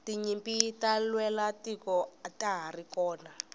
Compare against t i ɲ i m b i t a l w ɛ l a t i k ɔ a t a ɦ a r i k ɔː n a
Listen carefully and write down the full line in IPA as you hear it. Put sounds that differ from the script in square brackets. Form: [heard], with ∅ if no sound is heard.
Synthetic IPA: t i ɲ i m [p] i t a l w ɛ l a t i k ɔ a t a ɦ a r i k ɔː n a